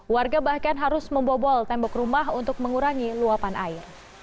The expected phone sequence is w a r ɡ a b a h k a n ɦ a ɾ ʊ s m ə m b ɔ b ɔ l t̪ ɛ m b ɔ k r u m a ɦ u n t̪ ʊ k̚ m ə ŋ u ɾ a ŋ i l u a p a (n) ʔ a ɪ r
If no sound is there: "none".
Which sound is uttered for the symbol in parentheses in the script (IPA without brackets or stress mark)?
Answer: n